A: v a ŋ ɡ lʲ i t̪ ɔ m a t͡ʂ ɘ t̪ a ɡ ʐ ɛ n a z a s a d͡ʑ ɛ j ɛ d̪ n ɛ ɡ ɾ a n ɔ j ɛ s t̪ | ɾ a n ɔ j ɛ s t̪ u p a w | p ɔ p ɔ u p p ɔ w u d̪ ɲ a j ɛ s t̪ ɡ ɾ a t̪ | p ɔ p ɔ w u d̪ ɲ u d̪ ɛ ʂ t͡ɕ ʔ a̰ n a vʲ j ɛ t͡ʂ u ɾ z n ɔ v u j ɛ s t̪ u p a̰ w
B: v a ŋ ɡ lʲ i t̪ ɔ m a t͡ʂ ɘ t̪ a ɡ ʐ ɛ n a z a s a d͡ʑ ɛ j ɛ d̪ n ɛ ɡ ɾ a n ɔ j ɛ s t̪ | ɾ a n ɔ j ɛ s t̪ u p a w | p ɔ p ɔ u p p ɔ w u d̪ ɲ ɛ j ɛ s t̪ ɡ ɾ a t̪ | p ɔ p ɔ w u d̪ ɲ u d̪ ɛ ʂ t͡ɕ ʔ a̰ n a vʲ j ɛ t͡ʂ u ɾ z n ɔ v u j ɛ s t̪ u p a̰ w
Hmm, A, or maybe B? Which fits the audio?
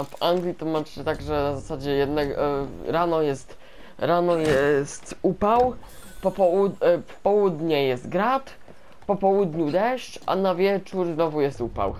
B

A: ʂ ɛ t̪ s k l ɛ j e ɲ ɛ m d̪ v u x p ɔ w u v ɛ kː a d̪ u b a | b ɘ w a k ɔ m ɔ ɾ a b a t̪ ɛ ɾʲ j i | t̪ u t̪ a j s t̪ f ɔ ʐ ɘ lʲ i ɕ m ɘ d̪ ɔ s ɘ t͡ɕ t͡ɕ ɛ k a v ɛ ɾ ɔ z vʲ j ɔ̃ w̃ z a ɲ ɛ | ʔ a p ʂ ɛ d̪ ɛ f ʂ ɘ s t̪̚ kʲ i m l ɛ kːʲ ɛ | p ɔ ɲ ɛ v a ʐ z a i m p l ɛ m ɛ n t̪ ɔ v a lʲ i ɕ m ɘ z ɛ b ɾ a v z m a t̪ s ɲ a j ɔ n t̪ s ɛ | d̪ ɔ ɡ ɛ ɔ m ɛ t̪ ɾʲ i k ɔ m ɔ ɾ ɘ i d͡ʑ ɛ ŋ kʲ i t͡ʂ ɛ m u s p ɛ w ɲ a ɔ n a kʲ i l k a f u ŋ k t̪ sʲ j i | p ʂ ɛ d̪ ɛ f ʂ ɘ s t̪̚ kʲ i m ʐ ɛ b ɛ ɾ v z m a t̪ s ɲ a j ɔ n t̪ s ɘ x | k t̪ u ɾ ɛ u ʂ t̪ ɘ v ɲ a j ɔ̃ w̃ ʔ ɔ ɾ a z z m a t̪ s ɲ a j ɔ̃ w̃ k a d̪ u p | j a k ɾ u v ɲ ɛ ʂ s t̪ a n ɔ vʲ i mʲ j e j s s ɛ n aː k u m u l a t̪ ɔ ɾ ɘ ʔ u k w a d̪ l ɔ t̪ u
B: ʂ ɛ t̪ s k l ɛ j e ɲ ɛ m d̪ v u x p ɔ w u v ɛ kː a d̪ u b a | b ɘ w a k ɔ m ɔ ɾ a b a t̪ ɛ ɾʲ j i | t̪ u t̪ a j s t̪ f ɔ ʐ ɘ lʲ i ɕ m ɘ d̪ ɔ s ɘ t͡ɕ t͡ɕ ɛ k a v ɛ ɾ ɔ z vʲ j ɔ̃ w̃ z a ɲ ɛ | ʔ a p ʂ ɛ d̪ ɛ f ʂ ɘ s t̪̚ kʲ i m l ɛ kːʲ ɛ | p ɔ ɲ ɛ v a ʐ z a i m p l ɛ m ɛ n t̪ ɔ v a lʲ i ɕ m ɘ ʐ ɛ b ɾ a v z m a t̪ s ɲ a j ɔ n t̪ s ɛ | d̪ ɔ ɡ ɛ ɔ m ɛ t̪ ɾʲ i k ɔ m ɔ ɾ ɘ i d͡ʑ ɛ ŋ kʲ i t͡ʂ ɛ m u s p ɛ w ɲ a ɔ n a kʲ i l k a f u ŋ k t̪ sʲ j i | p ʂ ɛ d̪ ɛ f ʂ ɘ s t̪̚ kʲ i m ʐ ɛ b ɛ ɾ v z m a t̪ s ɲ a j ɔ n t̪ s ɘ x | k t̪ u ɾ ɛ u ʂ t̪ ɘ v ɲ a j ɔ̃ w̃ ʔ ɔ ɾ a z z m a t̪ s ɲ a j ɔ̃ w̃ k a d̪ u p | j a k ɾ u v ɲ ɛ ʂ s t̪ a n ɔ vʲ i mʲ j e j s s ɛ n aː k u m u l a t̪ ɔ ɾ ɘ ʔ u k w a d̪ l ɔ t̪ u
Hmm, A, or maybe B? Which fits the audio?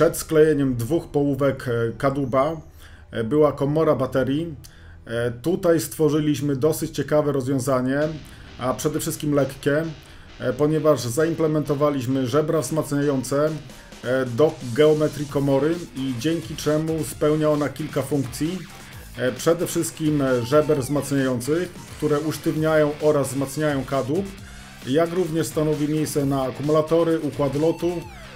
B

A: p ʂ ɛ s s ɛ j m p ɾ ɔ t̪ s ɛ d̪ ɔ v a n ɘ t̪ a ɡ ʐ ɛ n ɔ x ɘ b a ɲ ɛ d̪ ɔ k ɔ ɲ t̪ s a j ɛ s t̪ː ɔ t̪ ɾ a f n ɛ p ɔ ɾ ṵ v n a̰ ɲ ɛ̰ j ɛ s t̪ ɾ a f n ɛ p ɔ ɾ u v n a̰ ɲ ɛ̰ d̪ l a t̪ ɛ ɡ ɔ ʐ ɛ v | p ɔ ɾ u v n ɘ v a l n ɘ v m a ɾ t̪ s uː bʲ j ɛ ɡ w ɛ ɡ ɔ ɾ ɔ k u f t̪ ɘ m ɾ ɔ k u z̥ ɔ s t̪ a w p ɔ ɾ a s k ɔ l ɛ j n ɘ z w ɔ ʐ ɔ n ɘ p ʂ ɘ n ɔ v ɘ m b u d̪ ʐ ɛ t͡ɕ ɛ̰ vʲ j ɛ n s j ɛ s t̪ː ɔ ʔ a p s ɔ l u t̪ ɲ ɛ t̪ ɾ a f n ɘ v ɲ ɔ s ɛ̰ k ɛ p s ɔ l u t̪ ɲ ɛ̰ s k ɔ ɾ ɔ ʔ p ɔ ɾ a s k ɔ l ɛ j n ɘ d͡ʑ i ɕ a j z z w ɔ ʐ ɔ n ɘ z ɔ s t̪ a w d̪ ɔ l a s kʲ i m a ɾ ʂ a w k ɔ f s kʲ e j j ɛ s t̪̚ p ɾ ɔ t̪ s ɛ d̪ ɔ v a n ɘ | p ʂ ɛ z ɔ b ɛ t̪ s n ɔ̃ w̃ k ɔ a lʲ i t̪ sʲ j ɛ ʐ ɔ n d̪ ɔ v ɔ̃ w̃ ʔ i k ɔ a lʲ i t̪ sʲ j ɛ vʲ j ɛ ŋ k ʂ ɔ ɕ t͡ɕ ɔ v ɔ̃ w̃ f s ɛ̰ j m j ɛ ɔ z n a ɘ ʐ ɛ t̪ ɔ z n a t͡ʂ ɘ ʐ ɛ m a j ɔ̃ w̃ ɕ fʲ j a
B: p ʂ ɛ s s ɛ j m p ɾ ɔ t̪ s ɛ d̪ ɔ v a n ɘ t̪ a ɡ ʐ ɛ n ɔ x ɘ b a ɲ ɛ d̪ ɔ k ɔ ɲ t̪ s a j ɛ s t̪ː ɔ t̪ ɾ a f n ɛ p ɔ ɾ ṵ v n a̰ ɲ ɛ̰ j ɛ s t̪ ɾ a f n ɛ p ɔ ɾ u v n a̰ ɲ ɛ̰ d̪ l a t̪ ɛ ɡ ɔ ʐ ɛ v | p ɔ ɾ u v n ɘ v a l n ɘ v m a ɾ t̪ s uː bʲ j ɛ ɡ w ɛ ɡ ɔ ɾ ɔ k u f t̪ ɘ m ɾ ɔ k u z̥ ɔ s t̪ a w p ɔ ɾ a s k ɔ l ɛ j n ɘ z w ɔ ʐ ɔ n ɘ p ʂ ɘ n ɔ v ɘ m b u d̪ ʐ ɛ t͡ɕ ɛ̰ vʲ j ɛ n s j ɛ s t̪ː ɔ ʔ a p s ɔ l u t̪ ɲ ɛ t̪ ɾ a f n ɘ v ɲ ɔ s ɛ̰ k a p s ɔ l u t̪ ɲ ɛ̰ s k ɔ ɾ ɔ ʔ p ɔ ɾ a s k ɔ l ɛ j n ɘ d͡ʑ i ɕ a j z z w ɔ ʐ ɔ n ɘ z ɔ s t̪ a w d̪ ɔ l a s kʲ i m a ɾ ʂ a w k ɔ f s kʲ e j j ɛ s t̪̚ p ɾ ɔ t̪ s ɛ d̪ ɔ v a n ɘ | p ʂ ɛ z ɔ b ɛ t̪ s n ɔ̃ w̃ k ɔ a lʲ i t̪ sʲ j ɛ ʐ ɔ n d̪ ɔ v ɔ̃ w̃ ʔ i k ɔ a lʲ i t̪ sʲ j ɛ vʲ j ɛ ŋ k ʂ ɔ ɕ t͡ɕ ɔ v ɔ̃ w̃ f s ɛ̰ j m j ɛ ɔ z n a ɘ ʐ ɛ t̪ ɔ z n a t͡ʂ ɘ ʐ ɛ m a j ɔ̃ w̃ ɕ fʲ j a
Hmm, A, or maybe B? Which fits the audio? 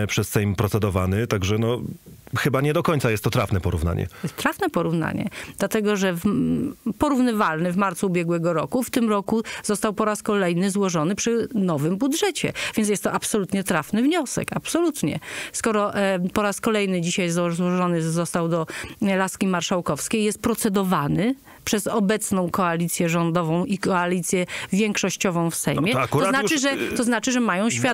B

